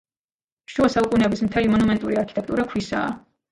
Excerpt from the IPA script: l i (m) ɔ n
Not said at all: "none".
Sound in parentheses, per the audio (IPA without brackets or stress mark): m